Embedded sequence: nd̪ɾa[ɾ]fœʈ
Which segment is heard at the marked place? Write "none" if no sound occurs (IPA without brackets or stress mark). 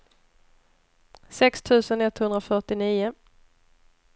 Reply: none